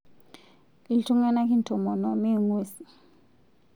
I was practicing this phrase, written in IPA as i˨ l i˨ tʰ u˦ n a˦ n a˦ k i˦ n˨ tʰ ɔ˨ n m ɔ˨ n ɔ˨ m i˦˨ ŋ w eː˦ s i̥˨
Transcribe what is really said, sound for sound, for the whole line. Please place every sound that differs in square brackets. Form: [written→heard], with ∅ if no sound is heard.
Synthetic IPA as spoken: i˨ l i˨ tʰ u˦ [n→ŋ] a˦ n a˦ k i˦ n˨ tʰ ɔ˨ [n→∅] m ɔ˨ n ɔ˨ m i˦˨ ŋ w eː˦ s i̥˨